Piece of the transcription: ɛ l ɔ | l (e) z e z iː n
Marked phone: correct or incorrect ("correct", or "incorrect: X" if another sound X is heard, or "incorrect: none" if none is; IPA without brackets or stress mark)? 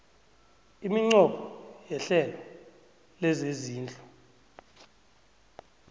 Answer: incorrect: ɛ